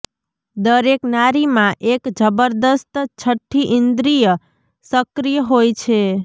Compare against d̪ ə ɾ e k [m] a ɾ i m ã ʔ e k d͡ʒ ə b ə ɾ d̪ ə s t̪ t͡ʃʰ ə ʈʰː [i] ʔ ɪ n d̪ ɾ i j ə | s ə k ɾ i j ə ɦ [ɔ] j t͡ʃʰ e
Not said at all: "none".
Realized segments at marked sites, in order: n, i, o

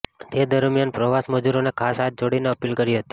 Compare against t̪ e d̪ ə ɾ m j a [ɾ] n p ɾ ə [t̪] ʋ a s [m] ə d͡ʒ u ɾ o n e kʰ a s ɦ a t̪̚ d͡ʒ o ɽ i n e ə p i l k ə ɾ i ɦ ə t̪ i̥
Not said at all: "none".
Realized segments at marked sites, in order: none, none, m

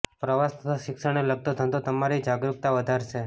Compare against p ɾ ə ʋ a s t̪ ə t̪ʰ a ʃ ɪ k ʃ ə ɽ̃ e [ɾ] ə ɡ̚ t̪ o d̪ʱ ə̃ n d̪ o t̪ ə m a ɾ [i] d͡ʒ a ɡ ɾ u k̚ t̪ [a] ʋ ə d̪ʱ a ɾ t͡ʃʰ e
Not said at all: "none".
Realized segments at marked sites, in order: l, i, a

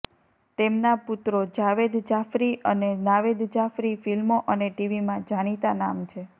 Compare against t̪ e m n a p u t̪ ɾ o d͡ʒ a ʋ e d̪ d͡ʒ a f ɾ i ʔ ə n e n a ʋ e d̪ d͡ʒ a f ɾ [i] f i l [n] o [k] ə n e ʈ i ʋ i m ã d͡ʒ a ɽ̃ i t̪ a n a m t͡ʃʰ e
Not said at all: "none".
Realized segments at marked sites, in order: i, m, ʔ

